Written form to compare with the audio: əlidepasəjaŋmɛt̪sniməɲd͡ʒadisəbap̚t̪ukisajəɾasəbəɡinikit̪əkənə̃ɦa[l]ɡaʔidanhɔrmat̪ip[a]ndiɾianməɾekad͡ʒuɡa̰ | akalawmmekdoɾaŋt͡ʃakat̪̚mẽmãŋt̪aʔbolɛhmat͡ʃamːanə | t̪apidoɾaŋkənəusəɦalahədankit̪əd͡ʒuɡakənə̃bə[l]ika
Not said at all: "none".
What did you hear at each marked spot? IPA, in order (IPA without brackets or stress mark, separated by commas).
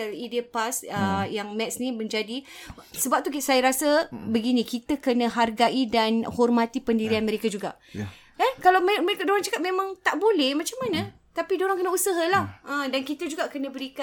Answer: r, ə, ɾ